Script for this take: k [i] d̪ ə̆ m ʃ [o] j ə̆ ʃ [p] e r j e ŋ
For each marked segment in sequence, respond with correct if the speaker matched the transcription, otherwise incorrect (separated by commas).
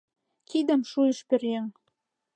correct, incorrect, correct